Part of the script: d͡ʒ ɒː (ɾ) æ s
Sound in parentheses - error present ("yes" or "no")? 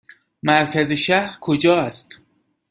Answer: yes